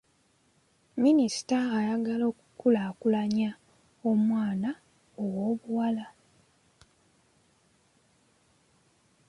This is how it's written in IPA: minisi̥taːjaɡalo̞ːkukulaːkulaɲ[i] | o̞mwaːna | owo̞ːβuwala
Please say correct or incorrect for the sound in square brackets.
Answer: incorrect: a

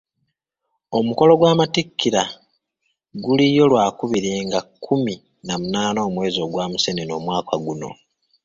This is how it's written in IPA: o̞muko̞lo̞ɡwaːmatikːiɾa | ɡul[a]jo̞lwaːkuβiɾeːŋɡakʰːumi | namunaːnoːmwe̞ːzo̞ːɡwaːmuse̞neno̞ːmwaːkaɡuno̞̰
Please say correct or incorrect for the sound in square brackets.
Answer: incorrect: i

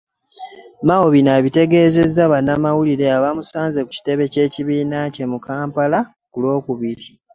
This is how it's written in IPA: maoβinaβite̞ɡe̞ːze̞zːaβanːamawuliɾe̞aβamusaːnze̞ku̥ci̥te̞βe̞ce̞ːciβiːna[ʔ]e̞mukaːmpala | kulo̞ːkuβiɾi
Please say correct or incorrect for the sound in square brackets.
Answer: incorrect: c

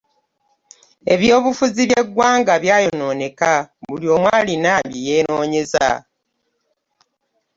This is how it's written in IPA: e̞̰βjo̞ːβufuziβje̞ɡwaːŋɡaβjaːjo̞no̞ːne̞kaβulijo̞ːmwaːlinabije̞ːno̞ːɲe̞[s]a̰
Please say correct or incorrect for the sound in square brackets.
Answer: incorrect: z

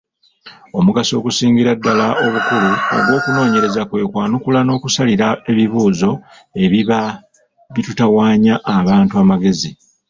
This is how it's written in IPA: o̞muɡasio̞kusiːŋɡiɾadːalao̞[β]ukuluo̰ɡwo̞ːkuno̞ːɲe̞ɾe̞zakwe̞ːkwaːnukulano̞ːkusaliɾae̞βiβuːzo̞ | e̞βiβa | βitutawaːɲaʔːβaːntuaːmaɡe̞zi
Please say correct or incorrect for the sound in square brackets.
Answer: correct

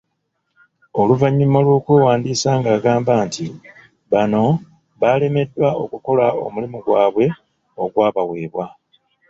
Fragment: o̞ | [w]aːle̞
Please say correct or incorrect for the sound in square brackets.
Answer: incorrect: β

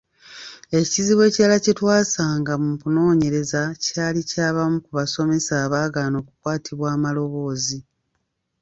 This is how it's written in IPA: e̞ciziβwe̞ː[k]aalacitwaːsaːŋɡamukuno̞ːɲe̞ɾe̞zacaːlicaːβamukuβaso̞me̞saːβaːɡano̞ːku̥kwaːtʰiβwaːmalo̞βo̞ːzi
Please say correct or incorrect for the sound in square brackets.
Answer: incorrect: c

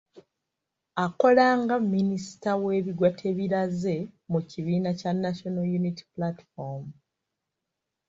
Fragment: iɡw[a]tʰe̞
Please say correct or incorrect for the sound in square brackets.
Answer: correct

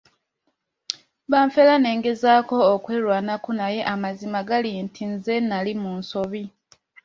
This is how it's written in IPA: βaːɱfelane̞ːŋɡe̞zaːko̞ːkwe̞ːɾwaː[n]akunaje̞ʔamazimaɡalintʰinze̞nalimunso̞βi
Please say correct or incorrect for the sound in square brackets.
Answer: correct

